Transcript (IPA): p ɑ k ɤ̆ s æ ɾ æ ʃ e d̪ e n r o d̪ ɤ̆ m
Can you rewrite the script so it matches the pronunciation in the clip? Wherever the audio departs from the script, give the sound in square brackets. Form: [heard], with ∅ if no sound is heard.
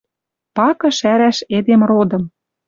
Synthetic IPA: p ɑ k ɤ̆ [ʃ] æ ɾ æ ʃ e d̪ e [m] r o d̪ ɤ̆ m